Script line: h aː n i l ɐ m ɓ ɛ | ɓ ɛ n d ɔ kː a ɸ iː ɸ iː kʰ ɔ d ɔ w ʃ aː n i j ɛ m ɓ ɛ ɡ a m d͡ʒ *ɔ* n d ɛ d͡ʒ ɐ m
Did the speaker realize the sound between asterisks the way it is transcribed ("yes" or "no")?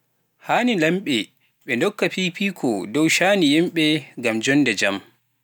yes